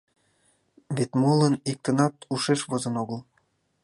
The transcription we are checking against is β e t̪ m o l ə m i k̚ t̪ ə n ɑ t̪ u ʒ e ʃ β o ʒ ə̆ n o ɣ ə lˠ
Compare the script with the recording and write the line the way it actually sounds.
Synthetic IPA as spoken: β e t̪ m o l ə n i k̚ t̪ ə n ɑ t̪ u ʃ e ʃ β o z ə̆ n o ɣ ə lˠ